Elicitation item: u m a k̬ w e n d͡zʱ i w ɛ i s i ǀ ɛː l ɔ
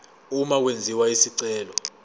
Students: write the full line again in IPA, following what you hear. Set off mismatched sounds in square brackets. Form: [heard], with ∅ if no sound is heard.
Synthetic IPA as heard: u m a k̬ w e n d͡zʱ i w [a] i s i ǀ ɛː l ɔ